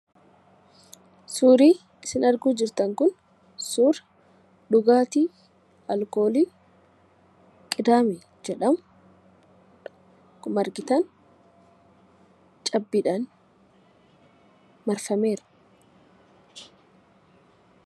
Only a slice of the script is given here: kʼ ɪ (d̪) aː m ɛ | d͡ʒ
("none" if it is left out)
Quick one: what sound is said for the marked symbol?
d̪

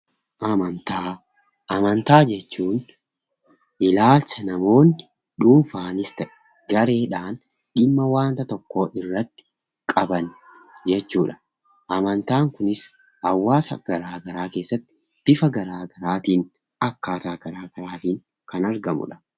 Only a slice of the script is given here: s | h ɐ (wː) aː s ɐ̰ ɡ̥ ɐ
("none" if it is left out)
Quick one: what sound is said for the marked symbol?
wː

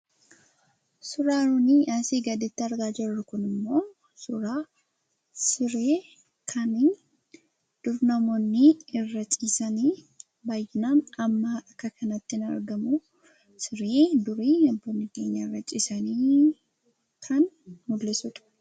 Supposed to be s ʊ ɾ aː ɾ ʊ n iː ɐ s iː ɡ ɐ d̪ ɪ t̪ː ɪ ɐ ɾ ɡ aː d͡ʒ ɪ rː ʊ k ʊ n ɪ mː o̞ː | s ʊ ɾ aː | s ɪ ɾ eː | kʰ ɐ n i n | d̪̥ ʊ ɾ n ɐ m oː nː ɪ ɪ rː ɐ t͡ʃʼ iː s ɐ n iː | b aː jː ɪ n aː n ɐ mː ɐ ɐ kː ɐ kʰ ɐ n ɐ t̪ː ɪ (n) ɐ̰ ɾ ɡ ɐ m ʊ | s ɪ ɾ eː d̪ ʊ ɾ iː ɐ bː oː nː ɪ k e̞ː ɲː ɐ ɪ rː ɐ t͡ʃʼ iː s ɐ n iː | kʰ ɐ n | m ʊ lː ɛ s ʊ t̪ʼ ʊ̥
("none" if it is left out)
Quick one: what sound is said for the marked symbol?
n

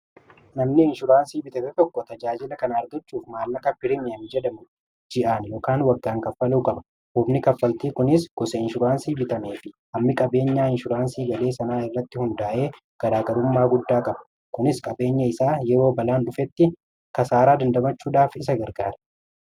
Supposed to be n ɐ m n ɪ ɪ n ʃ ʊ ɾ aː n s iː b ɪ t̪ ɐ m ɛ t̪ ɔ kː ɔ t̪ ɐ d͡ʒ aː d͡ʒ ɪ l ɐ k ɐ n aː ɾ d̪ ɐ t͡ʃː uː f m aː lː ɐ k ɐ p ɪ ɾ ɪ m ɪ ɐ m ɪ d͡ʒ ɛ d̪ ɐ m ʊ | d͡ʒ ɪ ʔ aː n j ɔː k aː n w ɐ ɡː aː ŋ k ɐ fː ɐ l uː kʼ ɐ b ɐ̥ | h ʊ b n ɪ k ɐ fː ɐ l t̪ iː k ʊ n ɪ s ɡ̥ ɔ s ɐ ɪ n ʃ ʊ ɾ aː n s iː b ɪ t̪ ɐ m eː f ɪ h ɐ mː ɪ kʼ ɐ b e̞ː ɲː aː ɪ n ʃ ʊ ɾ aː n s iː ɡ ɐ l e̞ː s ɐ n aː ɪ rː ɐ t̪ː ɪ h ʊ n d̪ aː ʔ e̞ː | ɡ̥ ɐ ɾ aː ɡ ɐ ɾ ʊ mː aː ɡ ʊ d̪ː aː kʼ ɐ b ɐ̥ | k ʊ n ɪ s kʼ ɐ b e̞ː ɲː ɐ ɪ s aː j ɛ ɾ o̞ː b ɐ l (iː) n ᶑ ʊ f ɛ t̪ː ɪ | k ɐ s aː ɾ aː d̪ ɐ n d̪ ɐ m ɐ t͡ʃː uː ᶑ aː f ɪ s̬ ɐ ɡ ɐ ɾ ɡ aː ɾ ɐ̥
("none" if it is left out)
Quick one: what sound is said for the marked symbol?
aː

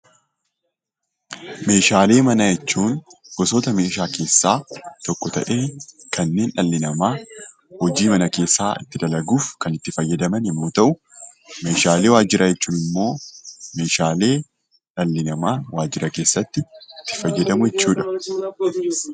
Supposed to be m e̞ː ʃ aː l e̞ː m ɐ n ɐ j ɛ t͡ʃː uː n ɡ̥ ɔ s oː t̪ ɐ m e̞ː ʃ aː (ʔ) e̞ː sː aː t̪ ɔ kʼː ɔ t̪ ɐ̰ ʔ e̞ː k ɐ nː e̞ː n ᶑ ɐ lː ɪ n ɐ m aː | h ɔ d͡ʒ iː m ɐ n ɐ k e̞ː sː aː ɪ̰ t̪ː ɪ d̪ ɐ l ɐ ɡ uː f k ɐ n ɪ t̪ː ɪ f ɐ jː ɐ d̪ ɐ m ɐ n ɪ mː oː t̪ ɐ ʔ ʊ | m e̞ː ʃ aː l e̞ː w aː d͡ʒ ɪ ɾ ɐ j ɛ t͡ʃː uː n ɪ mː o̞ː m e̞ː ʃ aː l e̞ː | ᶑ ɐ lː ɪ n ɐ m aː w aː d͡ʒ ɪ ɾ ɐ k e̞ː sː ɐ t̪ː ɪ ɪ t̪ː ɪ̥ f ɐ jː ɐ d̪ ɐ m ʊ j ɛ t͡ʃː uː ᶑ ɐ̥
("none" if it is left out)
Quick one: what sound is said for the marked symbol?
k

